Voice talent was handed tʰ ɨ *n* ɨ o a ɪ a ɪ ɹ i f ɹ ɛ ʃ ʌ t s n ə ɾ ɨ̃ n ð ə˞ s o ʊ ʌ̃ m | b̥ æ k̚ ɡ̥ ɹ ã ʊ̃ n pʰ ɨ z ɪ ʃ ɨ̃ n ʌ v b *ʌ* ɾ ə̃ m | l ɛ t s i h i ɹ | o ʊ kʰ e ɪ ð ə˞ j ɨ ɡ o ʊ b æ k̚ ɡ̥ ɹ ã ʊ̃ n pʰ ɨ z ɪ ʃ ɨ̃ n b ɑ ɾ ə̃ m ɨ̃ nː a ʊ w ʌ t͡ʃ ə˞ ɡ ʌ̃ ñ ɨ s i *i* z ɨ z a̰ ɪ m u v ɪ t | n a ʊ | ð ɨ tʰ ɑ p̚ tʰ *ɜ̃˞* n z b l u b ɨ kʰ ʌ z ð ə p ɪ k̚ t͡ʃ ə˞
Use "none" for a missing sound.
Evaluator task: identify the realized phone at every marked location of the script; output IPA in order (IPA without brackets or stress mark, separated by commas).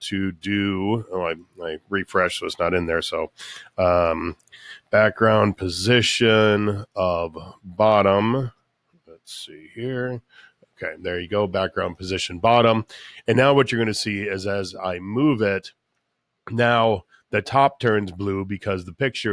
d, ɑ, ɪ, ɜ̃˞